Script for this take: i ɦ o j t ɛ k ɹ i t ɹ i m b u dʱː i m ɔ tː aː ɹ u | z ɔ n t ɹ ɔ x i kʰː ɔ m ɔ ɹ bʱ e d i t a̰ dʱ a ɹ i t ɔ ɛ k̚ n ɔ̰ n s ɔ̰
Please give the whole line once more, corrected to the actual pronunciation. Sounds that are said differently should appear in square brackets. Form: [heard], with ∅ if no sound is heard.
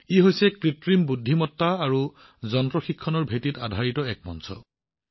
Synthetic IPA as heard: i ɦ o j [s] ɛ k ɹ i t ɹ i m b u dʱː i m ɔ tː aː ɹ u | z ɔ n t ɹ ɔ x i kʰː ɔ [n] ɔ ɹ bʱ e [t] i t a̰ dʱ a ɹ i t ɔ ɛ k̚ [m] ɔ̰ n s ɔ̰